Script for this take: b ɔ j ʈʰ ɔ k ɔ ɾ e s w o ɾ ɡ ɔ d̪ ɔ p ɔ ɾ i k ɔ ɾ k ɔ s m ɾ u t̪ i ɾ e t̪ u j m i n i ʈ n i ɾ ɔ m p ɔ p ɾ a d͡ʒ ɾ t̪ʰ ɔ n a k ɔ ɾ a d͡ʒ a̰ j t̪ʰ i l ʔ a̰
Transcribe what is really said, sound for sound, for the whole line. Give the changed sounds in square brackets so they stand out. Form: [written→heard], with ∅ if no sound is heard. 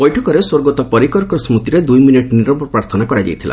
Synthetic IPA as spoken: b ɔ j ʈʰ ɔ k ɔ ɾ e s w o ɾ ɡ ɔ [d̪→t̪] ɔ p ɔ ɾ i k ɔ ɾ k ɔ s m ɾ u t̪ i ɾ e [t̪→d̪] u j m i n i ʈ n i ɾ ɔ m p ɔ p ɾ a [d͡ʒ→∅] ɾ t̪ʰ ɔ n a k ɔ ɾ a d͡ʒ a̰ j t̪ʰ i l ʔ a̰